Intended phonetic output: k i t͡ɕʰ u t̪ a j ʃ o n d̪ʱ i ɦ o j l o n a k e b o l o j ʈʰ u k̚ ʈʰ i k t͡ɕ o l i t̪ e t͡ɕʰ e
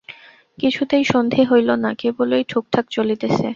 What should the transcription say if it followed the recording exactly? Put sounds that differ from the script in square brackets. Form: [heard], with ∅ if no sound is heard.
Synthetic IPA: k i t͡ɕʰ u t̪ [e] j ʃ o n d̪ʱ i ɦ o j l o n a k e b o l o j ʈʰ u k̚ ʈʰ [a] k t͡ɕ o l i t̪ e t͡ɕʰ e